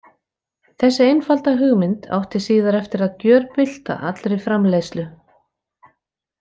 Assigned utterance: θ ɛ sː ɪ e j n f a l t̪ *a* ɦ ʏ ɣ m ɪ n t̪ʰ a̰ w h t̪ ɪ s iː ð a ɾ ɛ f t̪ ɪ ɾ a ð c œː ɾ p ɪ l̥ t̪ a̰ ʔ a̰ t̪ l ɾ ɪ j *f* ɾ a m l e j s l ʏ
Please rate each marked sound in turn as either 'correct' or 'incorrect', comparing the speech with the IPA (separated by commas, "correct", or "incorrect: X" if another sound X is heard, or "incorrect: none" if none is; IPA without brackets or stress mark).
correct, correct